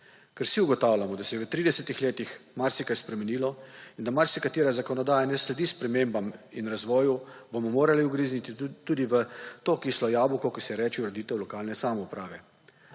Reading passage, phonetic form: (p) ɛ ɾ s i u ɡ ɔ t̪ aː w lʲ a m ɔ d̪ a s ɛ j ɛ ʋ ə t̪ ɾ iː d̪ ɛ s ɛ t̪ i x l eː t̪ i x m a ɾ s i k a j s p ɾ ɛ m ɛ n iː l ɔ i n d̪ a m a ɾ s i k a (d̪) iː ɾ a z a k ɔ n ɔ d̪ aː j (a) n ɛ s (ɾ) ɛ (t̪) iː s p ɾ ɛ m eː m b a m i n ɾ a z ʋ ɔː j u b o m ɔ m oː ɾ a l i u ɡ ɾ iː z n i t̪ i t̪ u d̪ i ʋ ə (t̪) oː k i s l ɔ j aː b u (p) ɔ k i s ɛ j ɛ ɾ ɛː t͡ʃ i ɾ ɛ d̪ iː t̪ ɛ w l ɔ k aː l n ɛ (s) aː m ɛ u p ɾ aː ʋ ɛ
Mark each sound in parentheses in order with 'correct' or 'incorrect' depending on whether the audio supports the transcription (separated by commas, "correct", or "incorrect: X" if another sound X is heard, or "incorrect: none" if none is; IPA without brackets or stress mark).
incorrect: k, incorrect: t̪, correct, incorrect: l, incorrect: d̪, correct, incorrect: k, correct